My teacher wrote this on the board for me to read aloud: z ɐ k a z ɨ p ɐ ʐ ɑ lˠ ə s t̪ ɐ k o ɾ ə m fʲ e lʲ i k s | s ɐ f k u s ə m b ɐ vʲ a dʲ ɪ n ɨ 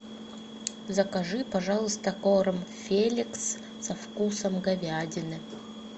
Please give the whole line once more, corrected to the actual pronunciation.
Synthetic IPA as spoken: z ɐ k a ʐ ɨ p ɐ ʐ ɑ lˠ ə s t̪ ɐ k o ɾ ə m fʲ e lʲ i k s | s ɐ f k u s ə m ɡ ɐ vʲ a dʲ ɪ n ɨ